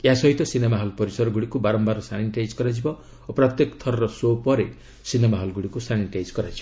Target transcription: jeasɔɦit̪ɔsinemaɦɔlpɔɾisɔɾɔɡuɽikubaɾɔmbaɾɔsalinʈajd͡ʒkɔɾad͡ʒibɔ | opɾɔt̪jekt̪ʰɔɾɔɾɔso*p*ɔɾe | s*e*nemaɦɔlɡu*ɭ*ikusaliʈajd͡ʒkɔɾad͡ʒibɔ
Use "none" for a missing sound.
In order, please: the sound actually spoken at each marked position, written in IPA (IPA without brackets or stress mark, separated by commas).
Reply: p, i, ɽ